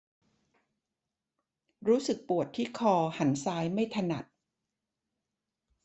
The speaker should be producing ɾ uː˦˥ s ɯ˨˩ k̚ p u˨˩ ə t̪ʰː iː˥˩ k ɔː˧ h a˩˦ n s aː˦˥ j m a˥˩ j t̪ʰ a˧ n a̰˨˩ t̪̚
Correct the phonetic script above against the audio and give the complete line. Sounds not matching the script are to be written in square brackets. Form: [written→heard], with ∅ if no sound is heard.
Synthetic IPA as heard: ɾ uː˦˥ s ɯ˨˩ k̚ p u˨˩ ə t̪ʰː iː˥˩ [k→kʰ] ɔː˧ h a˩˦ n s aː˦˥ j m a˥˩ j t̪ʰ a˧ n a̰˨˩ t̪̚